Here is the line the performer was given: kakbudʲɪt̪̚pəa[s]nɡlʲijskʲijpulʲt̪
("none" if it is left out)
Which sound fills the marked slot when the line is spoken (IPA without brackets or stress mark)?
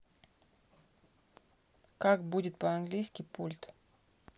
none